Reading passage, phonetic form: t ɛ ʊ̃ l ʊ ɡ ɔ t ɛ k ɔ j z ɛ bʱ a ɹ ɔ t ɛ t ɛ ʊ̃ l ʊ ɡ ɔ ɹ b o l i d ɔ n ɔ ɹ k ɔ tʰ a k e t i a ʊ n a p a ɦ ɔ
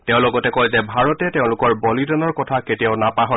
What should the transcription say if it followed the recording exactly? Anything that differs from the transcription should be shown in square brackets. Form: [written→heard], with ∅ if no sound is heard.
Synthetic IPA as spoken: t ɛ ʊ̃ l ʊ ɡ ɔ t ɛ k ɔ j z ɛ bʱ a ɹ ɔ t ɛ t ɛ ʊ̃ l ʊ [ɡ→k] ɔ ɹ b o l i d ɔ n ɔ ɹ k ɔ tʰ a k e t i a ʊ n a p a ɦ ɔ